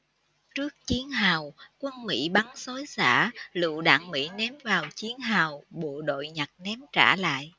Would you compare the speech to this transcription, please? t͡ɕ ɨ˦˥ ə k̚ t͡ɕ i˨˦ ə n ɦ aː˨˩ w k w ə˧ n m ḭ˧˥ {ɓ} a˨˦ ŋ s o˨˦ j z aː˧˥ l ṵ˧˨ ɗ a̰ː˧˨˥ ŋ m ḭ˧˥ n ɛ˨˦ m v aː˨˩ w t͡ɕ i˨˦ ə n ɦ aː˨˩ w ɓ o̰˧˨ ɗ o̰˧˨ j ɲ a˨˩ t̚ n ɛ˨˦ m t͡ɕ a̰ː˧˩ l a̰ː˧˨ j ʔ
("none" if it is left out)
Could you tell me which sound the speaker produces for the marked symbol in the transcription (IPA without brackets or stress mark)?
ɓ